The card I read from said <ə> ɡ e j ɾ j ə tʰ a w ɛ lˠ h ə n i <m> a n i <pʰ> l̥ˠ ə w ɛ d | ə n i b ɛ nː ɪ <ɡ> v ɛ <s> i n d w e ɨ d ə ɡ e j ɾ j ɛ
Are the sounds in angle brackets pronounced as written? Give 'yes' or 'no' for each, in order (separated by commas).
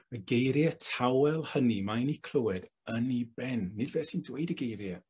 yes, yes, no, no, yes